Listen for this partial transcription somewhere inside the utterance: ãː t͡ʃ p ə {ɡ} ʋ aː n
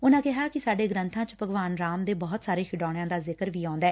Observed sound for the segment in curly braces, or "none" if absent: ɡ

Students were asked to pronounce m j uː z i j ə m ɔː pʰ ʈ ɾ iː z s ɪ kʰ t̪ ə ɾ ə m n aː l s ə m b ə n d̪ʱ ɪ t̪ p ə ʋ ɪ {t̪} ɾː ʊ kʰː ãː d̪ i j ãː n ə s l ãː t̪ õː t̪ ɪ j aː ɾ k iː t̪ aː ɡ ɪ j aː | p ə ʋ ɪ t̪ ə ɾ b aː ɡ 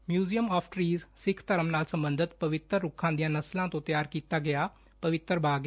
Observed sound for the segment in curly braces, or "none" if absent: t̪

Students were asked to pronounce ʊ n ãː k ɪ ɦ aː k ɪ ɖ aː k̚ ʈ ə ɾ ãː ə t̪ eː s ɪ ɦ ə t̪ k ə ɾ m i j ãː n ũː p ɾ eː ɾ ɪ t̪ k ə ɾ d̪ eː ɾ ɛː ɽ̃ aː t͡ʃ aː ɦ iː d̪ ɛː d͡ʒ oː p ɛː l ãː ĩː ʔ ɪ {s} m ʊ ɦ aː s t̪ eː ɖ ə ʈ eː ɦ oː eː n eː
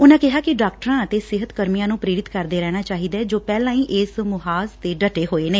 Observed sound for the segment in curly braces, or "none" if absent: s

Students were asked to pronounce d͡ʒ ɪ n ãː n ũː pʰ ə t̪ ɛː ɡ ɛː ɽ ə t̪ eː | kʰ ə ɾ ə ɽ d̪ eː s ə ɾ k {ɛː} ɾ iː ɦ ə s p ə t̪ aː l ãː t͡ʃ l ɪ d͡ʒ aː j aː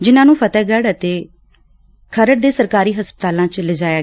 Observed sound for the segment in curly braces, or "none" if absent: aː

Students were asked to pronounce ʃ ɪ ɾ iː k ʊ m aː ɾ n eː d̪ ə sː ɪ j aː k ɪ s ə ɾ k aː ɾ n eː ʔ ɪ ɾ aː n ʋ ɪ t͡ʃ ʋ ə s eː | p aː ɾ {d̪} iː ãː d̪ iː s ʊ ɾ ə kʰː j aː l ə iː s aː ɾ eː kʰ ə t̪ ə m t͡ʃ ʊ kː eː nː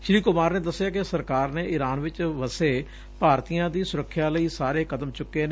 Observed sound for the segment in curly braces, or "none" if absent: t̪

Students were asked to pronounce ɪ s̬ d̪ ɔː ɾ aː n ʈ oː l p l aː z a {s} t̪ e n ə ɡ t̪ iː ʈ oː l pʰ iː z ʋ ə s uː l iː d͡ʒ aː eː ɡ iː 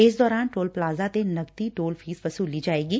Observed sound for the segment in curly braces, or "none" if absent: none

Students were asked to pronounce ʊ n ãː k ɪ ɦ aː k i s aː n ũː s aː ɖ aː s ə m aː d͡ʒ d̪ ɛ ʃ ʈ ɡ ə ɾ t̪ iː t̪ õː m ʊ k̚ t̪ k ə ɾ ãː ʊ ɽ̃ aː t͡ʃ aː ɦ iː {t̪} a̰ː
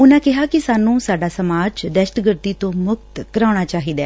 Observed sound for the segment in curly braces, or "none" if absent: d̪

